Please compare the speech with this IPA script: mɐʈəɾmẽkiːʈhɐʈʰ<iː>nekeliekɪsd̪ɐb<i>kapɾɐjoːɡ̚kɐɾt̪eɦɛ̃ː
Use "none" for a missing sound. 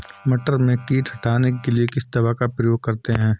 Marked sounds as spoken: aː, a

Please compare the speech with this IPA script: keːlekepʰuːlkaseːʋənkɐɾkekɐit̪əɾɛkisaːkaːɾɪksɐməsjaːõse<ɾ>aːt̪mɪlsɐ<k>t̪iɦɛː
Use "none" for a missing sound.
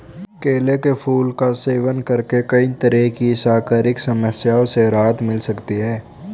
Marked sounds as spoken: ɾ, k

